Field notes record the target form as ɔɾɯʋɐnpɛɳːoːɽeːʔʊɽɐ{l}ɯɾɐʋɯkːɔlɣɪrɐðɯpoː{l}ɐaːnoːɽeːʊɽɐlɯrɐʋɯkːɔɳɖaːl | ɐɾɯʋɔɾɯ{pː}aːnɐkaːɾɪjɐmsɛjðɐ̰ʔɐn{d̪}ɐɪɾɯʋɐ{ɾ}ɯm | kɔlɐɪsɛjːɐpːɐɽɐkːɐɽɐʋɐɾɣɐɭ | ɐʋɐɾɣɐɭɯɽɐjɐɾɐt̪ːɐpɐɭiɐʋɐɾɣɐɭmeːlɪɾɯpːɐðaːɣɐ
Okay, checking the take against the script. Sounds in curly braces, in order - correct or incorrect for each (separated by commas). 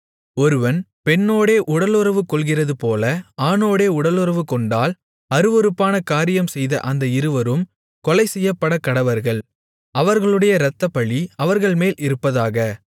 correct, correct, correct, correct, correct